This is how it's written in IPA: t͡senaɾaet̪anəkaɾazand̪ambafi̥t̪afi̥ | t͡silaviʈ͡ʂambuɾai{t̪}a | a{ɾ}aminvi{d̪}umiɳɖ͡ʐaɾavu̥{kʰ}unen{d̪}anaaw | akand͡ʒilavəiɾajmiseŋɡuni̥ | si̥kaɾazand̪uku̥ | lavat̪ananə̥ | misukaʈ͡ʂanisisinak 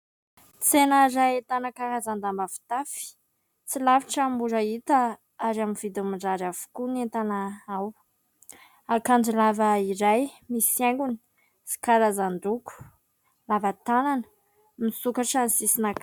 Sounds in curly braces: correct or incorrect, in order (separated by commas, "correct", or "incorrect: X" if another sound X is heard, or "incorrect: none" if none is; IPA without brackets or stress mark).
correct, correct, correct, incorrect: k, incorrect: t̪